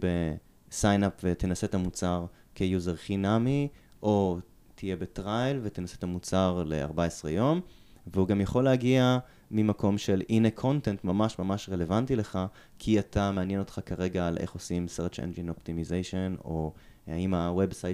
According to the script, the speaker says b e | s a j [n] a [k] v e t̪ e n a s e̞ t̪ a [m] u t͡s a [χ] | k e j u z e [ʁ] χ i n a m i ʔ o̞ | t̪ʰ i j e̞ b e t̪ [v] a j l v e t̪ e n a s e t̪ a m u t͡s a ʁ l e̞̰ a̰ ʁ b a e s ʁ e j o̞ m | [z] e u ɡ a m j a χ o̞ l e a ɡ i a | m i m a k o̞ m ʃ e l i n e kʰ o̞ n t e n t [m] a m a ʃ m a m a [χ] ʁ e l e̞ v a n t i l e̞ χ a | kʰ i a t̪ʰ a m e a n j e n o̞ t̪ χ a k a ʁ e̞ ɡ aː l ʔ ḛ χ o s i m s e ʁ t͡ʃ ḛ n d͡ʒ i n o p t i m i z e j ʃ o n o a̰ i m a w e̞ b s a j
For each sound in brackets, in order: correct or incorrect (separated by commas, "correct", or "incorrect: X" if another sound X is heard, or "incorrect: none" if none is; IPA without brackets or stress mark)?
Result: correct, incorrect: p, correct, incorrect: ʁ, correct, incorrect: ʁ, incorrect: v, correct, incorrect: ʃ